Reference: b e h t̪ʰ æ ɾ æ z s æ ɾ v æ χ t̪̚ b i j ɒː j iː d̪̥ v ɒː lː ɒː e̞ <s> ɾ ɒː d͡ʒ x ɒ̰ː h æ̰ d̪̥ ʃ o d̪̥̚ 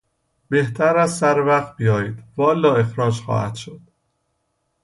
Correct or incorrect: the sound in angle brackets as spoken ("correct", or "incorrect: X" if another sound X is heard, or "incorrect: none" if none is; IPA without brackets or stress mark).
incorrect: x